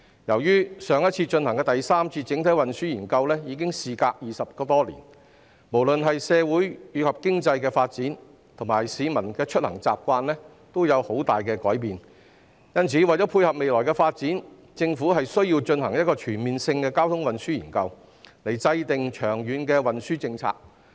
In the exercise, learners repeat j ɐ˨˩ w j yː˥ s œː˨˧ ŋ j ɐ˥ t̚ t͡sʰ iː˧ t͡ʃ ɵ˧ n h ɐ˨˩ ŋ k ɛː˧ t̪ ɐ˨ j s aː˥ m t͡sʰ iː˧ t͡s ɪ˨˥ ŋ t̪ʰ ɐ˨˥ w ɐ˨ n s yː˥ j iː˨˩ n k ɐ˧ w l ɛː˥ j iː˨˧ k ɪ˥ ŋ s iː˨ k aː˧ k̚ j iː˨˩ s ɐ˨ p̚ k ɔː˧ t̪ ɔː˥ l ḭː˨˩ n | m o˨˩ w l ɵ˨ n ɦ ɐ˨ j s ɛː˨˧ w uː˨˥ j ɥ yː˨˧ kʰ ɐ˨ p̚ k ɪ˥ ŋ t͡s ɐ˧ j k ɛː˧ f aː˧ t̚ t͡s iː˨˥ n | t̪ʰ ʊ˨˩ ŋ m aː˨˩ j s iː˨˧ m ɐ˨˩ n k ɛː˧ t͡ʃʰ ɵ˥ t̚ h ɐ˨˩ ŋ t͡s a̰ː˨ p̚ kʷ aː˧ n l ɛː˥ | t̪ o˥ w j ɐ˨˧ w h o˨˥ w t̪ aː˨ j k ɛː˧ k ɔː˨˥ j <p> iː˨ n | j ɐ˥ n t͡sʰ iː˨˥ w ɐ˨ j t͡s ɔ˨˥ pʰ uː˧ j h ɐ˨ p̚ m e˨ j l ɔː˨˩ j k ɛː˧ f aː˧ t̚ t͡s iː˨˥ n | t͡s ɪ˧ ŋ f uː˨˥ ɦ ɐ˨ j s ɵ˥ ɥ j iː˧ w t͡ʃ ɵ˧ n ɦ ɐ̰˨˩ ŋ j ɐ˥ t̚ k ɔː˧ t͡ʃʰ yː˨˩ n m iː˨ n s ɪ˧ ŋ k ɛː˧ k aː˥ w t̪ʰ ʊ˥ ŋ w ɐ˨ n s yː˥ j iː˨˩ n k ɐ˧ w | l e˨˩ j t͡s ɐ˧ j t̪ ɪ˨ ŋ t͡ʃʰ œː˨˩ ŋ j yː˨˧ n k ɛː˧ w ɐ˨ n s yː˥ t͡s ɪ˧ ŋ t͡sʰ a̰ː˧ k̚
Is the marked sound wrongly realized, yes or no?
no